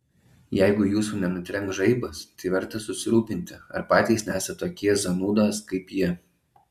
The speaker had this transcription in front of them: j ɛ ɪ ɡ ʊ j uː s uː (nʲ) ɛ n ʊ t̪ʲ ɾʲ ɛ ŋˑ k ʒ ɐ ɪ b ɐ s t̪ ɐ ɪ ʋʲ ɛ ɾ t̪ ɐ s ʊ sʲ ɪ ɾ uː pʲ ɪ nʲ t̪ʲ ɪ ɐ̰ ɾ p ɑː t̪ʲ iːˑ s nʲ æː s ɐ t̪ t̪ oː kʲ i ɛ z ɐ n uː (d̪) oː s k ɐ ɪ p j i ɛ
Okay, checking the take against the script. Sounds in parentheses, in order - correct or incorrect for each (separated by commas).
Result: correct, correct